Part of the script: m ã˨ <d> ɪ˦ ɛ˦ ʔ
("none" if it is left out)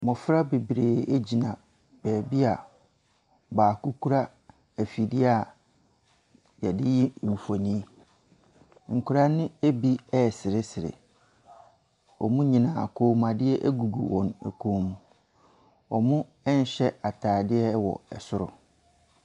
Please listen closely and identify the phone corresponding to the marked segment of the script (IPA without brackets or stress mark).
d